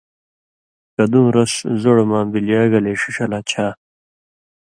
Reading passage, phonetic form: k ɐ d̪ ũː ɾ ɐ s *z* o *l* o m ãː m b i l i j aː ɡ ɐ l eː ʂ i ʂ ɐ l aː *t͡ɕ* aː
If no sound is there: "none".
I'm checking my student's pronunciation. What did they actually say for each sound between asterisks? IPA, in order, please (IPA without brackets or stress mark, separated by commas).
z, ɽ, t͡ɕʰ